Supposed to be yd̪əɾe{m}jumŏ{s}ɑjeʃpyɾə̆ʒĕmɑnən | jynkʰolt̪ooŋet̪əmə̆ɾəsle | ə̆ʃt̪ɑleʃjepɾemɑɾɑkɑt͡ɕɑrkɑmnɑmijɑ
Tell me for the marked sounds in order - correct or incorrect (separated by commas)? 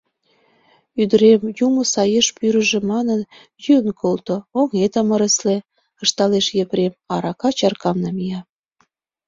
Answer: correct, correct